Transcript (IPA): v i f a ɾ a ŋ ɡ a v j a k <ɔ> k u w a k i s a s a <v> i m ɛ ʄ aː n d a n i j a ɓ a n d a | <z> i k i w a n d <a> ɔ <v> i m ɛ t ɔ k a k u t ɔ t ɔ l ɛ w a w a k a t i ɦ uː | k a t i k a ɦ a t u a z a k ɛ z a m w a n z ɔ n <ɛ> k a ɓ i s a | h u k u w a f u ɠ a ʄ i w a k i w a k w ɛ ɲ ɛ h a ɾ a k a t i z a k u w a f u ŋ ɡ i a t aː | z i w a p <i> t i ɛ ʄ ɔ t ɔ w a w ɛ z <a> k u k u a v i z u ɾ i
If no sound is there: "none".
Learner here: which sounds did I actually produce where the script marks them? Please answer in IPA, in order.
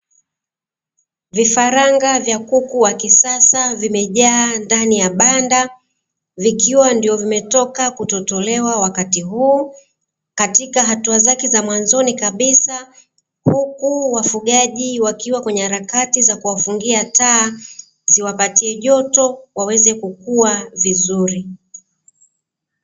u, v, v, i, v, i, a, ɛ

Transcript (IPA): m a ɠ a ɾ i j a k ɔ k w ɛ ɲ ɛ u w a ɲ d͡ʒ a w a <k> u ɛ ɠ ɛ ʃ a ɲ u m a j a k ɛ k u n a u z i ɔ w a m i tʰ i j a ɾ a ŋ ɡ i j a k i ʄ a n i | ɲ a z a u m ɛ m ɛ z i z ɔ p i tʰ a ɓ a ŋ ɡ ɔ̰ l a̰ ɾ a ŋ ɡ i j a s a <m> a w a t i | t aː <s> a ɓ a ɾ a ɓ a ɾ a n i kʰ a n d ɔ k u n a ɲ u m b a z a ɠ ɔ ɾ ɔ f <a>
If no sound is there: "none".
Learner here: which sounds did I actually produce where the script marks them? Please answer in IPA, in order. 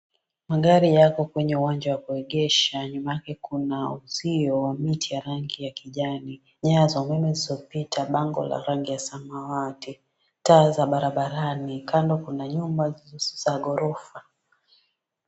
k, m, z, a

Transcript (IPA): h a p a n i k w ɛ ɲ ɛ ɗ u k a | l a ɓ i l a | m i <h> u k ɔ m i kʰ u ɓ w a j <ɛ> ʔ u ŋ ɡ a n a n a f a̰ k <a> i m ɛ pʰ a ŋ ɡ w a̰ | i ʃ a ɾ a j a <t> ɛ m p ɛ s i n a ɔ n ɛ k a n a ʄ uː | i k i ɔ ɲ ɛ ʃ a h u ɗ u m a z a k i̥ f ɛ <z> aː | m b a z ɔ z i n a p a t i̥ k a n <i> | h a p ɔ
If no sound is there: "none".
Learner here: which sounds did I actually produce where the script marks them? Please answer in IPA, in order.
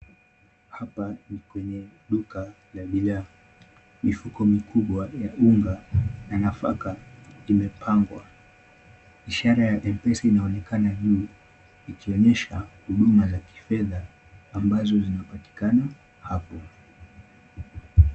f, a, a, ʔ, ð, a

